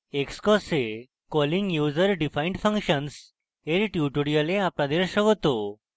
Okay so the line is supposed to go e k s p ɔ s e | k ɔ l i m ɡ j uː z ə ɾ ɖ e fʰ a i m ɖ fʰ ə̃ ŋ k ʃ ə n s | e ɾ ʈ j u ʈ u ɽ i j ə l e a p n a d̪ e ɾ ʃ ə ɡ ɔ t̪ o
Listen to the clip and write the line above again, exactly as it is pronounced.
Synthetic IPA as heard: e k s k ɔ s e | k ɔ l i ŋ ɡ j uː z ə ɾ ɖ i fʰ a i ɳ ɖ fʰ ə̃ ŋ k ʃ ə n s | e ɾ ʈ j u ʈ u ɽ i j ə l e a p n a d̪ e ɾ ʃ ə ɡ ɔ t̪ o